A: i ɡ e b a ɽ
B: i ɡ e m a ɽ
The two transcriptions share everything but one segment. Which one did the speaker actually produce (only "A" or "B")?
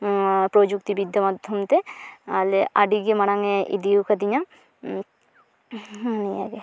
B